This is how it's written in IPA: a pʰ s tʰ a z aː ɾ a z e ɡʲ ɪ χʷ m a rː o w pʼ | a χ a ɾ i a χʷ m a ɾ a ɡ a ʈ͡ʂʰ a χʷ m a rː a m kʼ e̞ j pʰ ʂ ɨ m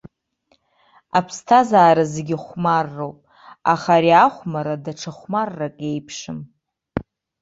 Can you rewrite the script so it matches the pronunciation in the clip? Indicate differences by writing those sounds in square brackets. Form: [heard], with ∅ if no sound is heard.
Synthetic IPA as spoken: a pʰ s tʰ a z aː ɾ a z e ɡʲ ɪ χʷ m a rː o w pʼ | a χ a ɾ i a χʷ m a ɾ a [d] a ʈ͡ʂʰ a χʷ m a rː a [∅] kʼ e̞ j pʰ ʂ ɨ m